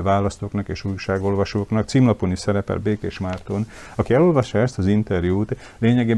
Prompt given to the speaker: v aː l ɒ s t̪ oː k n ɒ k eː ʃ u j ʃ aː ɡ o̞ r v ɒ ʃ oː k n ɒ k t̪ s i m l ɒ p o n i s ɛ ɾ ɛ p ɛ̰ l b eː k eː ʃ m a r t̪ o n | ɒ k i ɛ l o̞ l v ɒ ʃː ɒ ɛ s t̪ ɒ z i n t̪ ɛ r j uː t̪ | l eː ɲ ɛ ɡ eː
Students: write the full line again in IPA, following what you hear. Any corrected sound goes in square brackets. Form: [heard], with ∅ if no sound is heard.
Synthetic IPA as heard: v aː l ɒ s t̪ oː k n ɒ k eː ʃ u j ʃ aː ɡ o̞ [l] v ɒ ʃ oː k n ɒ k t̪ s i m l ɒ p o n i s ɛ ɾ ɛ p ɛ̰ l b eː k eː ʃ m a r t̪ o n | ɒ k i ɛ l o̞ l v ɒ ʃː ɒ ɛ s t̪ ɒ z i n t̪ ɛ r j uː t̪ | l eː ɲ ɛ ɡ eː